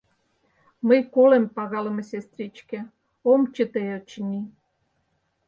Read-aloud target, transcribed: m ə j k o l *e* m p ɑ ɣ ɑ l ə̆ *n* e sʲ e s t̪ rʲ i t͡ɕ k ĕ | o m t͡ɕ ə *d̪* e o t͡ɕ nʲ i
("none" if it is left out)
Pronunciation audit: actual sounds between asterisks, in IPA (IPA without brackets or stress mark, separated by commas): e, m, t̪